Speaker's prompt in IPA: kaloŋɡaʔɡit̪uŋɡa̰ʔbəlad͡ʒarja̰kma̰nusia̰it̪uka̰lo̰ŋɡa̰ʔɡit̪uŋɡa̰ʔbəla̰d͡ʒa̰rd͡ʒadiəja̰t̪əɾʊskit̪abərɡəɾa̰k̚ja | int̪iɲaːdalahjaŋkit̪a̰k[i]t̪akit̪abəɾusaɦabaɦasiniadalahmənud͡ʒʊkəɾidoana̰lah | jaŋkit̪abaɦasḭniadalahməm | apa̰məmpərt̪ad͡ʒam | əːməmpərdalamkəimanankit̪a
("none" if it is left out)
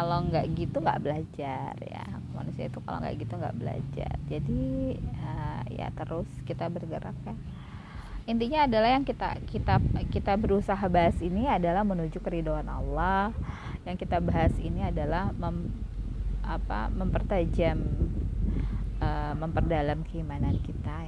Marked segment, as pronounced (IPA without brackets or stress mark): i